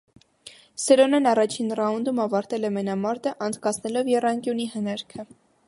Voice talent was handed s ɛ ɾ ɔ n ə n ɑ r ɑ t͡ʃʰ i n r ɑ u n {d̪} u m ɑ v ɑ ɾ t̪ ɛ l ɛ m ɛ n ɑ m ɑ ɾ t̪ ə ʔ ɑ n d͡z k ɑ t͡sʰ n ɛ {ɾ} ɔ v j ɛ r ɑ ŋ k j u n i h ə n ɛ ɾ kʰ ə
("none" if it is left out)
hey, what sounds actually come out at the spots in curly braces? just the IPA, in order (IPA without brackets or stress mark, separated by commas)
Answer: d̪, l